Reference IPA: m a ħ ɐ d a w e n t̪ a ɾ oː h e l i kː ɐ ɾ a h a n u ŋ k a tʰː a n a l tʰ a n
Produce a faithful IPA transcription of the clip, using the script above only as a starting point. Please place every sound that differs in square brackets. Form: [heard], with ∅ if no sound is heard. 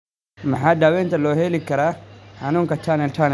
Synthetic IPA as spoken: m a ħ [a] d a w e n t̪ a [l] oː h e l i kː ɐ ɾ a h a n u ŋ k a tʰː a n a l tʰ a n

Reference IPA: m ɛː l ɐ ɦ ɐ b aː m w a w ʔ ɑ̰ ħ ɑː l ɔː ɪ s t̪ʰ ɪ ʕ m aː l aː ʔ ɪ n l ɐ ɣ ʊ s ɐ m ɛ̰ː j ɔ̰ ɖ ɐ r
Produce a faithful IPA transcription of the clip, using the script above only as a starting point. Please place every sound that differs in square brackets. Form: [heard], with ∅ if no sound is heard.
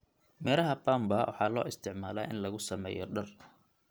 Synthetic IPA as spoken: m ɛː l ɐ ɦ ɐ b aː m [b] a w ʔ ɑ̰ ħ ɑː l ɔː ɪ s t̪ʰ ɪ ʕ m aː l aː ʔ ɪ n l ɐ ɣ ʊ s ɐ m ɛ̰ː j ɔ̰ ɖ ɐ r

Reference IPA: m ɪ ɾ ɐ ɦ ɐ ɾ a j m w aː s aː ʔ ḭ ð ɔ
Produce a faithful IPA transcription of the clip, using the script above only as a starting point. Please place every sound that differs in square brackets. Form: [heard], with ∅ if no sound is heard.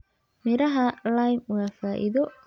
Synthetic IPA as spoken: m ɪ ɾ ɐ ɦ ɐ [l] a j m w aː [f] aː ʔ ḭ ð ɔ

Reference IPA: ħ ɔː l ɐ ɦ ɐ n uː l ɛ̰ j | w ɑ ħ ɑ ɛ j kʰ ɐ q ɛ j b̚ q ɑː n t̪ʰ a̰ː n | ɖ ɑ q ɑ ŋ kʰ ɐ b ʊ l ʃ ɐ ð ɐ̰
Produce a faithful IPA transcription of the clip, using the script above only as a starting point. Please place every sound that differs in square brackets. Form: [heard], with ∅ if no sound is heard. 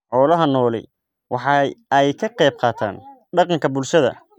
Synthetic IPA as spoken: ħ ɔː l ɐ ɦ ɐ n [ɔː] l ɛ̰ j | w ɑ ħ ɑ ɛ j kʰ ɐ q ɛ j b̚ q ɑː [∅] t̪ʰ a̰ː n | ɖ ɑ q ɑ ŋ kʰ ɐ b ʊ l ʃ ɐ ð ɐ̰

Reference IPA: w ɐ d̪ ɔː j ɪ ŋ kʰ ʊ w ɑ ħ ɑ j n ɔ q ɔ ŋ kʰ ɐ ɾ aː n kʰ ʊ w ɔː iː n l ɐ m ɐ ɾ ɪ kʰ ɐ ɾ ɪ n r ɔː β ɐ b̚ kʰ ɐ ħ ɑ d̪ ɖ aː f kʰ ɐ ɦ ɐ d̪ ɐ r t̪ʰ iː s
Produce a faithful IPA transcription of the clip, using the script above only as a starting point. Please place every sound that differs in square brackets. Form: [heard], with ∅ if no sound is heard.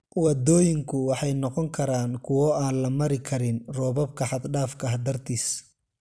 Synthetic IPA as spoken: w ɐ d̪ ɔː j ɪ ŋ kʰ ʊ w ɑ ħ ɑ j n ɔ q ɔ ŋ kʰ ɐ ɾ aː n kʰ ʊ w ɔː [aː] n l ɐ m ɐ ɾ ɪ kʰ ɐ ɾ ɪ n r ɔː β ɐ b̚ kʰ ɐ ħ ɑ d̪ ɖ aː f kʰ ɐ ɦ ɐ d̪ ɐ r t̪ʰ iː s

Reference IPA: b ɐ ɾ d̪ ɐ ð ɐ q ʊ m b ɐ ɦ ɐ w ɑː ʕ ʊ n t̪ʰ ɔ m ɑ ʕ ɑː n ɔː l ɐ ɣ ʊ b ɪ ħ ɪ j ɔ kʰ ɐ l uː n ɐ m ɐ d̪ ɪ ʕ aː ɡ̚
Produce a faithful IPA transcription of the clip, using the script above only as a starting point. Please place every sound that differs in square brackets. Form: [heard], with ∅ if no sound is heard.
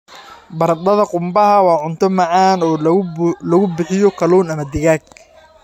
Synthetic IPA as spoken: b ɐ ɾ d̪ ɐ ð ɐ q ʊ m b ɐ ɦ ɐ w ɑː ʕ ʊ n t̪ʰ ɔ m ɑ ʕ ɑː n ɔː l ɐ ɣ ʊ b ɪ ħ ɪ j ɔ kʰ ɐ l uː n ɐ m ɐ d̪ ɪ [ɣ] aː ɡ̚

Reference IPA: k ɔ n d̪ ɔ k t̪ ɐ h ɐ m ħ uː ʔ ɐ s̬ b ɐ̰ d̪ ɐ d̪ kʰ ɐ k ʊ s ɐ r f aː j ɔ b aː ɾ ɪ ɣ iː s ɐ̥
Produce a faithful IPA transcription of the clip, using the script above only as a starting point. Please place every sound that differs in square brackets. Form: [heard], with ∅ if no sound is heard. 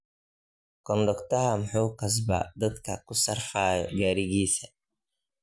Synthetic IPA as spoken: k ɔ n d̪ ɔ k t̪ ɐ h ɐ m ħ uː [k] ɐ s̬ b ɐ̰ d̪ ɐ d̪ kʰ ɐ k ʊ s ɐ r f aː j ɔ [ɡ] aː ɾ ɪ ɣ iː s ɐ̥

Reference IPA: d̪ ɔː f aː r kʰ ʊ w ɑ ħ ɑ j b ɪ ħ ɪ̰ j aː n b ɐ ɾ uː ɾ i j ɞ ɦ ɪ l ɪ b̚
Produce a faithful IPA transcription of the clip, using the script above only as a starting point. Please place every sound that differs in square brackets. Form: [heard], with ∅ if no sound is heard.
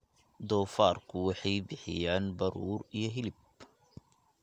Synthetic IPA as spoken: d̪ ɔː f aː r kʰ ʊ w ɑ ħ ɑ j b ɪ ħ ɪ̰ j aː n b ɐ ɾ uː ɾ i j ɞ ɦ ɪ l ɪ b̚

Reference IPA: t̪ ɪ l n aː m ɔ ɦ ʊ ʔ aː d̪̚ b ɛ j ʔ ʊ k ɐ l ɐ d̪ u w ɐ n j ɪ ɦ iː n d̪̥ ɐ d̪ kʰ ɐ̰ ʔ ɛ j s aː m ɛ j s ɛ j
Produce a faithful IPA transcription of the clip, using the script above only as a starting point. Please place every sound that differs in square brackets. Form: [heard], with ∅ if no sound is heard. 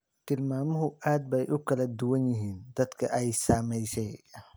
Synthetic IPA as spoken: t̪ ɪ l [m] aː m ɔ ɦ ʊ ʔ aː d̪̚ b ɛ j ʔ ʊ k ɐ l ɐ d̪ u w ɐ n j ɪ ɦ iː n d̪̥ ɐ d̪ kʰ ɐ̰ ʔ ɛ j s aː m ɛ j s ɛ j

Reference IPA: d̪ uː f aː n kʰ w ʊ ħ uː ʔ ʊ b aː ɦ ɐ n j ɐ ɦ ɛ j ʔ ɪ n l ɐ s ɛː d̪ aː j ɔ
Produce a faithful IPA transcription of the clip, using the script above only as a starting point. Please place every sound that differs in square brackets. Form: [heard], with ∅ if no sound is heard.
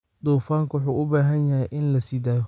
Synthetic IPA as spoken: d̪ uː f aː [ŋ] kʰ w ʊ ħ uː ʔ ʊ b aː ɦ ɐ n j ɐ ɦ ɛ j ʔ ɪ n l ɐ s [iː] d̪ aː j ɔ

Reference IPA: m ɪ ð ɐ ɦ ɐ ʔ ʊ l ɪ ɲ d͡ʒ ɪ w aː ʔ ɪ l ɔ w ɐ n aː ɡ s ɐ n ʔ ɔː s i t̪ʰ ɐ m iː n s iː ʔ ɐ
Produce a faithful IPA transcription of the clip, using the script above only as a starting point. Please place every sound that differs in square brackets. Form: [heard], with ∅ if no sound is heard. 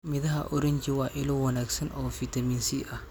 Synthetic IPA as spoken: m ɪ ð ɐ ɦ ɐ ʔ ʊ [ɾ] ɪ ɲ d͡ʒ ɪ w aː ʔ ɪ l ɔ w ɐ n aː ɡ s ɐ n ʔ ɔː [f] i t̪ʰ ɐ m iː n s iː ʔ ɐ

